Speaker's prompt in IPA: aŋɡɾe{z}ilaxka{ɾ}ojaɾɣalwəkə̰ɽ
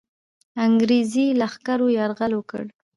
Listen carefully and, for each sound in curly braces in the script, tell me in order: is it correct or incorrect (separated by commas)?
correct, correct